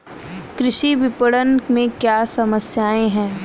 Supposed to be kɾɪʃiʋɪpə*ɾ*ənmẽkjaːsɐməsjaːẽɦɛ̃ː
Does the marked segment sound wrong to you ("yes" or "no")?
yes